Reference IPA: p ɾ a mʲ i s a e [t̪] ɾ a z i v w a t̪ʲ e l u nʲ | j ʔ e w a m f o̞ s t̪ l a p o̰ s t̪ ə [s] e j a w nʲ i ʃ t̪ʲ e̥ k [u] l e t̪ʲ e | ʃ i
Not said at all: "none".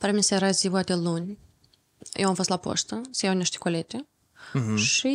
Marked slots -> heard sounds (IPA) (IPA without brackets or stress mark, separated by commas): none, s, o